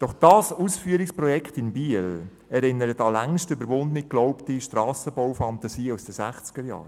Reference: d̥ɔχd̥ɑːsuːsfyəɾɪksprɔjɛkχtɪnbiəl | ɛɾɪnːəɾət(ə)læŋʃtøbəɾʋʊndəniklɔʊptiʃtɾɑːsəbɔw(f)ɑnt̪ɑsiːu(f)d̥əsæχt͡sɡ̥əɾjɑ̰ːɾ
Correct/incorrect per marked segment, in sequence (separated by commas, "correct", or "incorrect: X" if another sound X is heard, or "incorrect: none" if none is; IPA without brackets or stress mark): incorrect: ɑ, correct, incorrect: s